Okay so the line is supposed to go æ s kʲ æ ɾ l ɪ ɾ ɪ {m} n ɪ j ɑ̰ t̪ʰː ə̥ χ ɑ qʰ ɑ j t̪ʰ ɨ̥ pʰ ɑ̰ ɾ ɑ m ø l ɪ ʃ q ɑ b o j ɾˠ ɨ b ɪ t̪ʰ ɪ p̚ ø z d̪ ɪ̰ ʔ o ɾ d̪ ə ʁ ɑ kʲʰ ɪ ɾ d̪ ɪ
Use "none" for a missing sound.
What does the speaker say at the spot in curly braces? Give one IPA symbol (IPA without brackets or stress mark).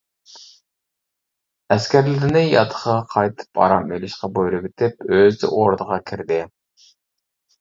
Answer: none